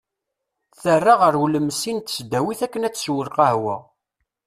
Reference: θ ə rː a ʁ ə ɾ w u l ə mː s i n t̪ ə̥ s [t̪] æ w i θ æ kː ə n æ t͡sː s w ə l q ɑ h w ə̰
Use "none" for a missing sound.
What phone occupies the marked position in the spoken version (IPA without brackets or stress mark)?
d̪